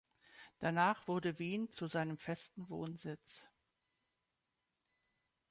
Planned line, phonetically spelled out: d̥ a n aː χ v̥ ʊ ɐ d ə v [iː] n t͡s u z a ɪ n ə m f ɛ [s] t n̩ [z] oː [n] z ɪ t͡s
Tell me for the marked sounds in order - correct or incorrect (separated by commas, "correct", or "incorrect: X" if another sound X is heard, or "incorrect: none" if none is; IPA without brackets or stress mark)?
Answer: correct, correct, incorrect: v, correct